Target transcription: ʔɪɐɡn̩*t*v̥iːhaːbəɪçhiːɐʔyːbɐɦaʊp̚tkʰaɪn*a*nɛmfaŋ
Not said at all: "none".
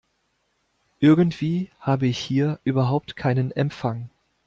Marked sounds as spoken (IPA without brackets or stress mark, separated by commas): t, ə